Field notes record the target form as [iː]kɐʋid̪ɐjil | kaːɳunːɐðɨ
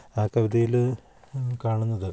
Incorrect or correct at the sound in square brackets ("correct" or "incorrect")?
incorrect